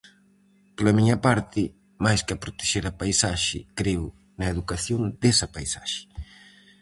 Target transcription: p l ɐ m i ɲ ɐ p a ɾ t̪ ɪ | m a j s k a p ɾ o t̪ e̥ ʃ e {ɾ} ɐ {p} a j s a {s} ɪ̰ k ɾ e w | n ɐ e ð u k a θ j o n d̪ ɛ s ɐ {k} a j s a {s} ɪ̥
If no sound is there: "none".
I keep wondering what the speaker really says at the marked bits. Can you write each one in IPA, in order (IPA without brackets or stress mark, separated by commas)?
ɾ, p, ʃ, p, ʃ